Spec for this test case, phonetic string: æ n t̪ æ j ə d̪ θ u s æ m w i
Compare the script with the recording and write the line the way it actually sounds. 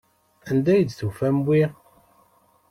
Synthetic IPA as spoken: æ n d̪ æ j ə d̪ θ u f æ m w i